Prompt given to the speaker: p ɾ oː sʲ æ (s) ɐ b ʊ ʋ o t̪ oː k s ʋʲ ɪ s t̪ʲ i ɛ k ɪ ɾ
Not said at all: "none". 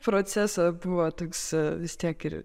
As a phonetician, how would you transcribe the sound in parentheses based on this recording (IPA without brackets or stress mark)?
s